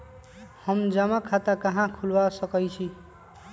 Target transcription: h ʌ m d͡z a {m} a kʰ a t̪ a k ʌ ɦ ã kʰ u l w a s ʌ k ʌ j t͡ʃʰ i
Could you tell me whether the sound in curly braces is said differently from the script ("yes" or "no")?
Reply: no